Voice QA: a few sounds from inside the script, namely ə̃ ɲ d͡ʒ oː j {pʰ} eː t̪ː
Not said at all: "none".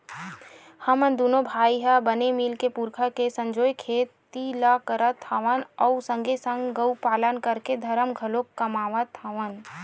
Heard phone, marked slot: kʰ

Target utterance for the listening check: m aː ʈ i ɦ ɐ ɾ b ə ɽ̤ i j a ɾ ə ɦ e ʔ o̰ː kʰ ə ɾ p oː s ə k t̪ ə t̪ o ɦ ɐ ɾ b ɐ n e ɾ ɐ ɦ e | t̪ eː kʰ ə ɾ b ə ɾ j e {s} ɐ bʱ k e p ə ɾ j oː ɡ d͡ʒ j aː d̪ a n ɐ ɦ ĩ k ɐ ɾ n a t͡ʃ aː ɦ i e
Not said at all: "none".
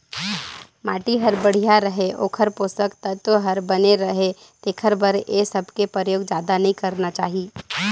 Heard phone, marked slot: s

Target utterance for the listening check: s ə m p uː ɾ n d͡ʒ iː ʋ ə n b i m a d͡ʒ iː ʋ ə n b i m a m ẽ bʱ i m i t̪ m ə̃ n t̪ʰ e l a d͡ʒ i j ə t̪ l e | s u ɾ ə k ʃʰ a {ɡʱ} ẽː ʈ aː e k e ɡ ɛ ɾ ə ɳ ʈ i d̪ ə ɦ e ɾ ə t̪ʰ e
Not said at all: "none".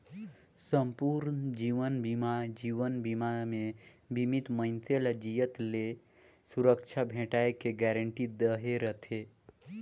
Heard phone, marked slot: bʱ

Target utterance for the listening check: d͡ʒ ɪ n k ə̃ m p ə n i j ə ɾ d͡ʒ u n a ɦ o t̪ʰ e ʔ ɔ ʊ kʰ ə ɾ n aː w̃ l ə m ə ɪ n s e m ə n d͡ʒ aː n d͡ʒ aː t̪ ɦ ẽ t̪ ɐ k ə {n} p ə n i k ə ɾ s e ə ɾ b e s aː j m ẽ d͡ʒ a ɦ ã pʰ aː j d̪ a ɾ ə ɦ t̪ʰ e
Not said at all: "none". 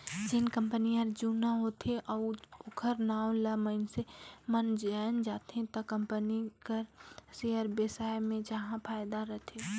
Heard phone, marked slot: m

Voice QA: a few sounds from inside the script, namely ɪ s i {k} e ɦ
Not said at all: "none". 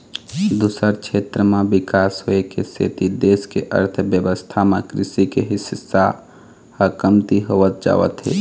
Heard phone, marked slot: k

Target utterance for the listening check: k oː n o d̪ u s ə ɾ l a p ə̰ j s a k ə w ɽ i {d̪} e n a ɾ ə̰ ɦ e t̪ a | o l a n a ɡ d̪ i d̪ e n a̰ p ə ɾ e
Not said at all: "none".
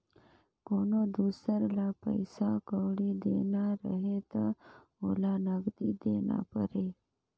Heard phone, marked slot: d̪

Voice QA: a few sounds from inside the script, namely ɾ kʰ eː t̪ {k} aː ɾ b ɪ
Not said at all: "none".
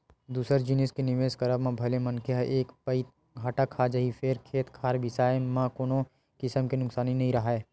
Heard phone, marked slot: kʰ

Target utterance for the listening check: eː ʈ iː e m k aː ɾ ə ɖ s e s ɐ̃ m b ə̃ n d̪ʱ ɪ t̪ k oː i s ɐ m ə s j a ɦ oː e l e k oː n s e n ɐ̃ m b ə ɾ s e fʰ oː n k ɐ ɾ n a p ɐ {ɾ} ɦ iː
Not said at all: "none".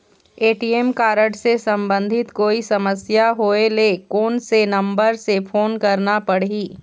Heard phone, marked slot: ɽ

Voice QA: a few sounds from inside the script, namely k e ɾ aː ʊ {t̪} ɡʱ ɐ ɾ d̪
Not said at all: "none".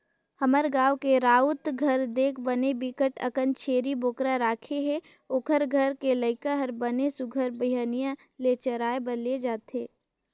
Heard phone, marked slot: t̪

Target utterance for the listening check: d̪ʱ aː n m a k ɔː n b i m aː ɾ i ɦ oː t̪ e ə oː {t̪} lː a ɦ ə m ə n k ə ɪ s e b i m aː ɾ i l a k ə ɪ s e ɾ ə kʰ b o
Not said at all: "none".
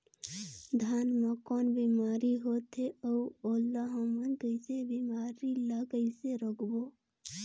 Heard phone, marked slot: none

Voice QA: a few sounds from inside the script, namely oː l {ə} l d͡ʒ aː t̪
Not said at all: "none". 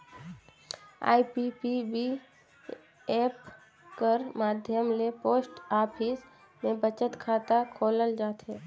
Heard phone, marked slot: ə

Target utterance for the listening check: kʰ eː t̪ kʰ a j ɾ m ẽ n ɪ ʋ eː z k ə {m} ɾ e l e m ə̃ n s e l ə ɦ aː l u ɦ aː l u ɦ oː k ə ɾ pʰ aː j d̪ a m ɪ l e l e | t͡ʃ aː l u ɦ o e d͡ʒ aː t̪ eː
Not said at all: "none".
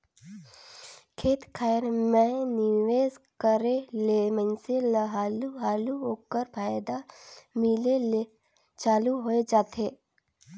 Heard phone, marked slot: none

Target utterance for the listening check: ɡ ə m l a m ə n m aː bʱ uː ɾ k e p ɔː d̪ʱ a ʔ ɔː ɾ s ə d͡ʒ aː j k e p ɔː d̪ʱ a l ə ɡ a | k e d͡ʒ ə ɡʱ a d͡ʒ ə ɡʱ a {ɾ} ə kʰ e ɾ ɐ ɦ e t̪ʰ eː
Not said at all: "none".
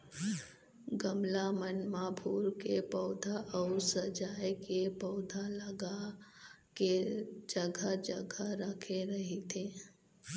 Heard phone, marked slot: ɾ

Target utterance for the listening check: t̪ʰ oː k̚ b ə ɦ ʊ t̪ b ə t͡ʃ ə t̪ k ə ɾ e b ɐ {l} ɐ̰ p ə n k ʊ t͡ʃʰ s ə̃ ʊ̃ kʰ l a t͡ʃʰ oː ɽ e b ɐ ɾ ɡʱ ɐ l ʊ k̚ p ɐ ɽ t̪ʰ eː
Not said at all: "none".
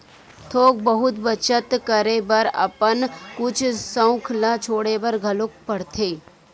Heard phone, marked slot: ɾ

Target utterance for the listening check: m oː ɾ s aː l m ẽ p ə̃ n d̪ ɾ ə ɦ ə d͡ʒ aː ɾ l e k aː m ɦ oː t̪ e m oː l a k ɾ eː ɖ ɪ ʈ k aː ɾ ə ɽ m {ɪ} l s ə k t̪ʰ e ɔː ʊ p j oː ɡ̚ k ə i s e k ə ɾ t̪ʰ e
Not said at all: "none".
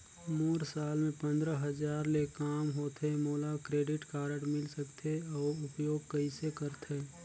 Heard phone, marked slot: ɪ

